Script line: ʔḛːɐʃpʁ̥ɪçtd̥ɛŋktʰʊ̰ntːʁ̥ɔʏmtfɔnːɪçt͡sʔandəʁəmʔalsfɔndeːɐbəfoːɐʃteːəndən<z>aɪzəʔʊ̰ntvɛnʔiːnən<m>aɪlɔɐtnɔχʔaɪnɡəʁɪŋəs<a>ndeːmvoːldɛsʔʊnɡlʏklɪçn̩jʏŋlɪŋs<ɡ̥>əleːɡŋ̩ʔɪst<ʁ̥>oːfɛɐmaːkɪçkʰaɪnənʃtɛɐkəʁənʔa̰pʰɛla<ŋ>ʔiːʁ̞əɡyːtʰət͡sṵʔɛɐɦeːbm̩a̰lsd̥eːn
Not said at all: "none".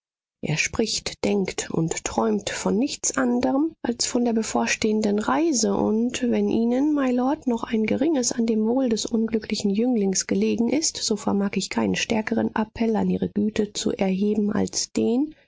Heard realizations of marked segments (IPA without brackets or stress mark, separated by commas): ʁ, m, a, ɡ̥, z̥, n